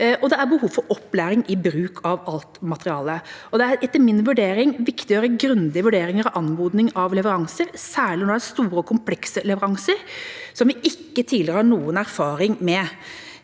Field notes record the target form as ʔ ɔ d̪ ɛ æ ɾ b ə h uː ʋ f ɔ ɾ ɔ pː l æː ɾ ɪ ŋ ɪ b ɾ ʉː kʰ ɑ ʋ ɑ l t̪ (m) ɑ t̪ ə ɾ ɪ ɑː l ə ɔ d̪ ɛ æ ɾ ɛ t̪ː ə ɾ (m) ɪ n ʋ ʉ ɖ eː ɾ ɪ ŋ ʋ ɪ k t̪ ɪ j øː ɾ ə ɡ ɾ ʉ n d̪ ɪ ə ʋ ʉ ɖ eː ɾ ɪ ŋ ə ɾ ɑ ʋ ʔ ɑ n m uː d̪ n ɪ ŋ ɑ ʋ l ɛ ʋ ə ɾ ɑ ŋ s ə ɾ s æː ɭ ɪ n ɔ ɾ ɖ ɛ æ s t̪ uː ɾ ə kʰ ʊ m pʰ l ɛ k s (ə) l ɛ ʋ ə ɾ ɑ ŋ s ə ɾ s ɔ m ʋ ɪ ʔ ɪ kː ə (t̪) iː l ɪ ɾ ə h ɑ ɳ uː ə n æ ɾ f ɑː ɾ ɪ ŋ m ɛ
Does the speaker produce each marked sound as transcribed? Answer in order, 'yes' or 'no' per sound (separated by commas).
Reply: yes, yes, yes, no